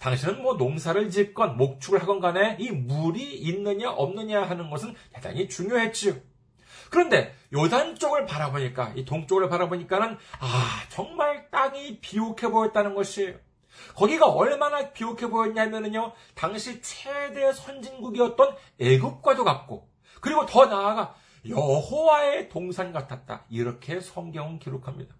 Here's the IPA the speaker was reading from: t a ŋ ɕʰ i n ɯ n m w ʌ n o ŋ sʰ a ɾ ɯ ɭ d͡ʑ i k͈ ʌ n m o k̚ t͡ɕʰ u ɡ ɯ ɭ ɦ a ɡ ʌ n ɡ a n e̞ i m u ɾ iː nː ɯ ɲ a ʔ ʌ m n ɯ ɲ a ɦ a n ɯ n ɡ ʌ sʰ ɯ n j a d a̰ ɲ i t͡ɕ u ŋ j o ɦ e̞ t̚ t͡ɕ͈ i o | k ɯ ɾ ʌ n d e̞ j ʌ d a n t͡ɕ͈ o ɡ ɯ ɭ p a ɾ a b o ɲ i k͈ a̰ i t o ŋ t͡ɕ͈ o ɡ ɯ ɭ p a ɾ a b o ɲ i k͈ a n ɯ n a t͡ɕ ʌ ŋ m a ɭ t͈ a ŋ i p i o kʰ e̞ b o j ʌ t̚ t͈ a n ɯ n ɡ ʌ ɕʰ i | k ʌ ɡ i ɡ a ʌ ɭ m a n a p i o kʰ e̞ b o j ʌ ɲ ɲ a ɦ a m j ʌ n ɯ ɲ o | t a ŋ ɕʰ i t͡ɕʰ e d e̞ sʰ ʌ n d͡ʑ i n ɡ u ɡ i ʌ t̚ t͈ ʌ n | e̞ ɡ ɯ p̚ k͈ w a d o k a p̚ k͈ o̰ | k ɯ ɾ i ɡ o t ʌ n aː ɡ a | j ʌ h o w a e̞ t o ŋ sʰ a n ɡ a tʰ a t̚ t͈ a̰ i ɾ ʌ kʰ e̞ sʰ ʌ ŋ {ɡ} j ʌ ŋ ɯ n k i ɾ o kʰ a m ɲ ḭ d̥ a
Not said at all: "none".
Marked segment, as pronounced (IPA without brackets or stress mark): ɡ